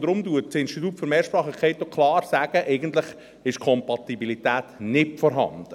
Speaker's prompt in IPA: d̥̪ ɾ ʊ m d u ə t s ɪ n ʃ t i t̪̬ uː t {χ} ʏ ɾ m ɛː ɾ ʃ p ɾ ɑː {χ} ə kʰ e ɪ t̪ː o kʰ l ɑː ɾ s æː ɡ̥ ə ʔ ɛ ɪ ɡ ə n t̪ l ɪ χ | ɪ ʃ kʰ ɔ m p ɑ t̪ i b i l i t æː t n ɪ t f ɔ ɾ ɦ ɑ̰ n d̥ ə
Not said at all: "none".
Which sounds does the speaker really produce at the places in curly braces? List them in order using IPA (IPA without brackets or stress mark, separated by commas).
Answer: f, χ